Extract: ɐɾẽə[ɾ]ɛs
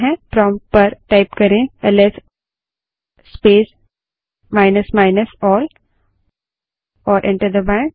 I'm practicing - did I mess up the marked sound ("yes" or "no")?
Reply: yes